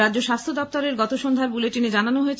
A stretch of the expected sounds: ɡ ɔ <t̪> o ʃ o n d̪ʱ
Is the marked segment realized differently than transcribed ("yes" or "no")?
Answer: no